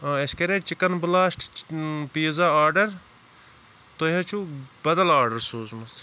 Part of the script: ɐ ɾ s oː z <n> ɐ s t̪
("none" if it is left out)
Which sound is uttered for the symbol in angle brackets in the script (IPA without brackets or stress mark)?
m